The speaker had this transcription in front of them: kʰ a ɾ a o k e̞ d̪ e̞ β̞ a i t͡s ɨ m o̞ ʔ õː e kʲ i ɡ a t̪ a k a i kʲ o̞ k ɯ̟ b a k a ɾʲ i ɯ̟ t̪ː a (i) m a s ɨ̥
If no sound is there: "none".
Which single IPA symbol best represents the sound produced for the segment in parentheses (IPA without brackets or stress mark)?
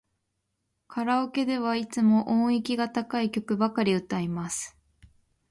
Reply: i